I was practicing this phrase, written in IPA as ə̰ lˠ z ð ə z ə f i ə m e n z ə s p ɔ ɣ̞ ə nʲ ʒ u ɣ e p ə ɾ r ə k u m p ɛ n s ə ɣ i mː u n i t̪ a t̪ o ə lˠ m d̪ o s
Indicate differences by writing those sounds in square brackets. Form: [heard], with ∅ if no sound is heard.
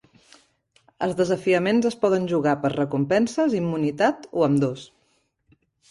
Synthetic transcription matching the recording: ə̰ lˠ z ð ə z ə f i ə m e n z ə s p ɔ [ð̞] ə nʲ ʒ u ɣ [a] p ə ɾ r ə k u m p ɛ n s ə [z] i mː u n i t̪ a t̪ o ə [∅] m d̪ o s